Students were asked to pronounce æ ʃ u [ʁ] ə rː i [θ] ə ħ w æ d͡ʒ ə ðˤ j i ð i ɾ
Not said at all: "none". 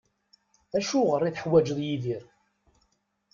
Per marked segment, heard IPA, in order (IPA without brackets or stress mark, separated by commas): ʁ, θ